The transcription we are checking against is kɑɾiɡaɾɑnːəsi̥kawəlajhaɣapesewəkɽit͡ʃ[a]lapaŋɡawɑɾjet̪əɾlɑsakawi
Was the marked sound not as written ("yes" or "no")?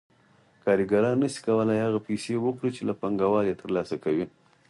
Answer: yes